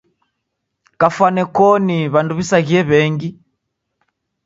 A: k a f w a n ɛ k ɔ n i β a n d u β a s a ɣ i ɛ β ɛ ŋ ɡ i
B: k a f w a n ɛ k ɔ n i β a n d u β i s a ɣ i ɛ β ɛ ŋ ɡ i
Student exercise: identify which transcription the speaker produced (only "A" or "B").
B